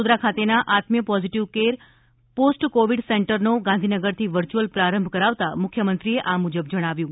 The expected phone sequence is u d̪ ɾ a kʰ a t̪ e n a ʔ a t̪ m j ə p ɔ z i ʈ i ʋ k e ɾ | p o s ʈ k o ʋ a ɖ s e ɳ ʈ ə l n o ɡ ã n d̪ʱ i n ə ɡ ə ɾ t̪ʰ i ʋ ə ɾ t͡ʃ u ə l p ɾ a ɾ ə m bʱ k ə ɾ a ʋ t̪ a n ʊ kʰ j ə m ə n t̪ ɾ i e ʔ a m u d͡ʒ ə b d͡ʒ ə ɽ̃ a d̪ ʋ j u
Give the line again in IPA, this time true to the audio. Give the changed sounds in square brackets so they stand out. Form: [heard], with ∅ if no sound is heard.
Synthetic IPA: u d̪ ɾ a kʰ a t̪ e n a ʔ a t̪ m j ə p ɔ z i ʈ i ʋ k e ɾ | p o s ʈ k o ʋ [i] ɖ s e ɳ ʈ ə [ɾ] n o ɡ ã n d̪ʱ i n ə ɡ ə ɾ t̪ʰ i ʋ ə ɾ t͡ʃ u ə l p ɾ a ɾ ə m bʱ k ə ɾ a ʋ t̪ a [m] ʊ kʰ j ə m ə n t̪ ɾ i e ʔ a m u d͡ʒ ə b d͡ʒ ə ɽ̃ a [∅] ʋ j [ũ]